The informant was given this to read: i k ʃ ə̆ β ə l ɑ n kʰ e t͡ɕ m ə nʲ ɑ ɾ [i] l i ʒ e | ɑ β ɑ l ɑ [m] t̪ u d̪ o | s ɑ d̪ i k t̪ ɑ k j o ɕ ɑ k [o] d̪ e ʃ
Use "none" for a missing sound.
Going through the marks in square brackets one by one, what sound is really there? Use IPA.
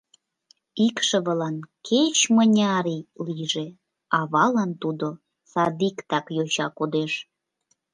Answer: i, n, o

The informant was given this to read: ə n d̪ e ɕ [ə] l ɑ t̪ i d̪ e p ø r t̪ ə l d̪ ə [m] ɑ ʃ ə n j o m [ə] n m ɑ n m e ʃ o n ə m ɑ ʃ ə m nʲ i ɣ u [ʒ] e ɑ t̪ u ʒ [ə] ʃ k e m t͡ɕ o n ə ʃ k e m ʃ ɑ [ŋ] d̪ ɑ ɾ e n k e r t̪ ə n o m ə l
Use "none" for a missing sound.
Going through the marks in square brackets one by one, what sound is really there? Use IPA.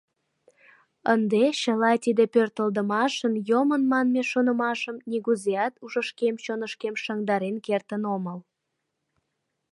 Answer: ə, m, ə, z, ə, ŋ

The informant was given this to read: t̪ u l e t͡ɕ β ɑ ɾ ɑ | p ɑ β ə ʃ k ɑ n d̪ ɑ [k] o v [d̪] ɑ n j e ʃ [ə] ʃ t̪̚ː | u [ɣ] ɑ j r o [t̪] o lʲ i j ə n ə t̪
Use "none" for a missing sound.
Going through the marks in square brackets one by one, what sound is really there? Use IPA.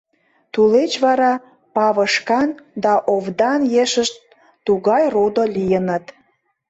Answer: ʔ, d̪, ə, ɣ, d̪

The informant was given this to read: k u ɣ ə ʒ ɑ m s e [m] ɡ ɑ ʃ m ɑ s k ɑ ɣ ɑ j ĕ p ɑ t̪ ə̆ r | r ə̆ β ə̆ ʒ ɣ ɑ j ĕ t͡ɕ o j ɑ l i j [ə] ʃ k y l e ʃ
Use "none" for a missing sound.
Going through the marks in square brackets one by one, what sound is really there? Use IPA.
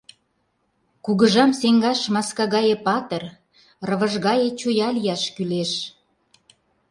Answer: ŋ, ɑ

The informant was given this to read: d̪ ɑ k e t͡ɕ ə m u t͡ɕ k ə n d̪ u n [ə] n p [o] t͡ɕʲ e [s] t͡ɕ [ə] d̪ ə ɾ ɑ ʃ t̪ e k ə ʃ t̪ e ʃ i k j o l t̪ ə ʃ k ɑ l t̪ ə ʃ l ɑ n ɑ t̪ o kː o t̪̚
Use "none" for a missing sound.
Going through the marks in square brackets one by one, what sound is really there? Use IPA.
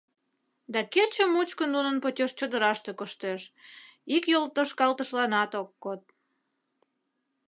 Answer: ə, o, ʃ, ə

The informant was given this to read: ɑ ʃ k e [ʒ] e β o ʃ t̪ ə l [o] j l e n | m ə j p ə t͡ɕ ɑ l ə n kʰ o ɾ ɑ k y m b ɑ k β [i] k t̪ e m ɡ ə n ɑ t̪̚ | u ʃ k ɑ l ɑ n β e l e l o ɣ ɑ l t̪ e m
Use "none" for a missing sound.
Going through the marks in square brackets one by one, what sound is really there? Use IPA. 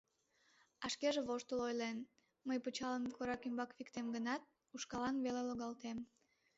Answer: ʒ, o, i

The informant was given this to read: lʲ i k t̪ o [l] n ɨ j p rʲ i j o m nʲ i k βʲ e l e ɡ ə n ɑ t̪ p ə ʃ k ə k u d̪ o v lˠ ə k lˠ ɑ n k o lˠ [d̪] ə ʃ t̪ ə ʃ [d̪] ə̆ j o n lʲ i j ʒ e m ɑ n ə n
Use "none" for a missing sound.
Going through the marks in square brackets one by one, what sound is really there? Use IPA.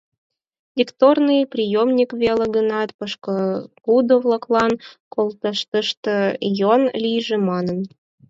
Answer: r, t̪, t̪

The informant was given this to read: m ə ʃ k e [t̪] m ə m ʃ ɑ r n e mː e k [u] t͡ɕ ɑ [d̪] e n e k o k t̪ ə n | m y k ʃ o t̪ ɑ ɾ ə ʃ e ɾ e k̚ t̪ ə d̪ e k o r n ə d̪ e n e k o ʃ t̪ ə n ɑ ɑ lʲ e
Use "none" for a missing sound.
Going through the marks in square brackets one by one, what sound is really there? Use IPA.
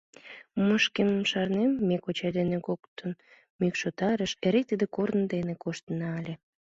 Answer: none, o, d̪

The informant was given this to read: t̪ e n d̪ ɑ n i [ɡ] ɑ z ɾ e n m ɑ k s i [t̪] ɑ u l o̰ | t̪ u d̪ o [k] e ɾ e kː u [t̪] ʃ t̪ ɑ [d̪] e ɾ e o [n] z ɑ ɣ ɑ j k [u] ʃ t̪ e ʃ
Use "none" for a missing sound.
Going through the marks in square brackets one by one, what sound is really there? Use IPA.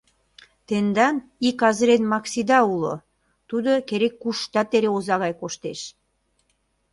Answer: k, d̪, k, none, t̪, none, o

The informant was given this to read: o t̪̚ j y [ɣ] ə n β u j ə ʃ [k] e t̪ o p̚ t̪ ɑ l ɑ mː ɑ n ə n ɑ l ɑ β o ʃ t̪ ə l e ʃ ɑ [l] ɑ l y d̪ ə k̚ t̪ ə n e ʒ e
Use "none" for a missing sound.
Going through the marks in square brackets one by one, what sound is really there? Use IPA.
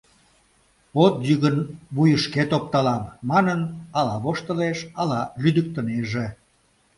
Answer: ɣ, k, l

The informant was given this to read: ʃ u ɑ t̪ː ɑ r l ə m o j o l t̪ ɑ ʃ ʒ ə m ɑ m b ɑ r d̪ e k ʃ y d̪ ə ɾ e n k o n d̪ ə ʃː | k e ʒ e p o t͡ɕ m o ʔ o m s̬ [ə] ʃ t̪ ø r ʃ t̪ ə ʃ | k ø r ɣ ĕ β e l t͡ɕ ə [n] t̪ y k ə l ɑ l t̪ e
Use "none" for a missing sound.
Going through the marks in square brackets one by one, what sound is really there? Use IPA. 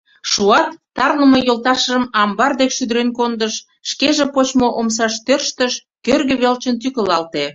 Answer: ɑ, n

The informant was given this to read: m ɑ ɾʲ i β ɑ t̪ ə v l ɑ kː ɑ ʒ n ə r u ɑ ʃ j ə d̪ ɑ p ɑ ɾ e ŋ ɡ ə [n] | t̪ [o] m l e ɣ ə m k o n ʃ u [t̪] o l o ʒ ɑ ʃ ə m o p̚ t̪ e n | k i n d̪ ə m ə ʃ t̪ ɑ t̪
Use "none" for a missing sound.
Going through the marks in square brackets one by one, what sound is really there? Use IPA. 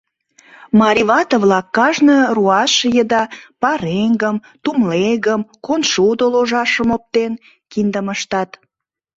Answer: m, u, d̪

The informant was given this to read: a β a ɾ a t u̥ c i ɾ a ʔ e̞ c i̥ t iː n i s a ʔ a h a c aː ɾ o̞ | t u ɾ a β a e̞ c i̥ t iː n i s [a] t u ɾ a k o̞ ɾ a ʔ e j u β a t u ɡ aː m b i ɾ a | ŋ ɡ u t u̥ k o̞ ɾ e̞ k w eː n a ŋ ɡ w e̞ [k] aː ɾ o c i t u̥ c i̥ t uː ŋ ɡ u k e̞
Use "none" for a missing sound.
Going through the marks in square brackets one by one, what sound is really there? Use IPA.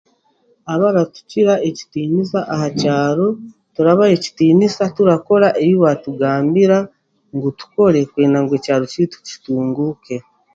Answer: a, c

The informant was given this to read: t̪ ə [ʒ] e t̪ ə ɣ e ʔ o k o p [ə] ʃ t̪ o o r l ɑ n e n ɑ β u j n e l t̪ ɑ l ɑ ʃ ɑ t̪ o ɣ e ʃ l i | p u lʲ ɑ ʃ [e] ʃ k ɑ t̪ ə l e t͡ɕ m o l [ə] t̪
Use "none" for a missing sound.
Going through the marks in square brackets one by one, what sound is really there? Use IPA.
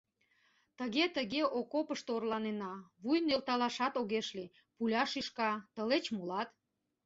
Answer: ɣ, ə, i, ɑ

